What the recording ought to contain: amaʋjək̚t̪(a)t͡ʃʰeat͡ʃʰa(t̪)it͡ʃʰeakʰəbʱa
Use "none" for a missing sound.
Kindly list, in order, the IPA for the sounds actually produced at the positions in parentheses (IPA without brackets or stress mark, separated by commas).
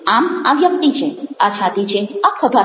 i, t̪